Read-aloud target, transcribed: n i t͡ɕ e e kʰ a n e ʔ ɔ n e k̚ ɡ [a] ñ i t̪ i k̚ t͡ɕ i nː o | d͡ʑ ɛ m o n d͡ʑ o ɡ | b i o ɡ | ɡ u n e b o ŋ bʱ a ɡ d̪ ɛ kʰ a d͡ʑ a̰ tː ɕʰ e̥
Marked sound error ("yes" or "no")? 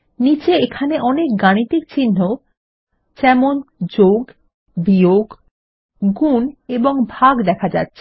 no